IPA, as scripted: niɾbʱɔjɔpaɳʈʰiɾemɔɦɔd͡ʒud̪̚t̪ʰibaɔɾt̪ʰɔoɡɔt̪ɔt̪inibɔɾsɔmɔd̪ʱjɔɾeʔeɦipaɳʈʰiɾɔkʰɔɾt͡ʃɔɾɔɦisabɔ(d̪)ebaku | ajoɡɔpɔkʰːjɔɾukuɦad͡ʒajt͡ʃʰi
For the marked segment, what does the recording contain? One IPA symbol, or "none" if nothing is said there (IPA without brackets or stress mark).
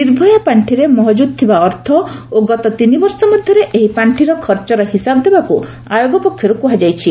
d̪